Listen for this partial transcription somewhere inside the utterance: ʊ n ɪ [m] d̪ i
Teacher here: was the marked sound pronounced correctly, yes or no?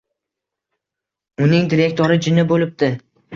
no